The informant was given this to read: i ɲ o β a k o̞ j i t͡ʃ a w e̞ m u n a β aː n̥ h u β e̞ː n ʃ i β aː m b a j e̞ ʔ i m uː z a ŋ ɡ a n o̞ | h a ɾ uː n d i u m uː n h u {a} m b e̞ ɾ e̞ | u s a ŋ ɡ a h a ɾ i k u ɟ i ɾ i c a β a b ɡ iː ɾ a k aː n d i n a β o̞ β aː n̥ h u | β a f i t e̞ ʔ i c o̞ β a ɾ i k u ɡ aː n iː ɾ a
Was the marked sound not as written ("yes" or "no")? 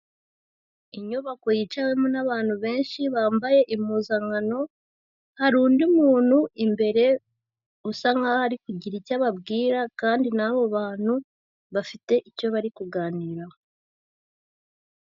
yes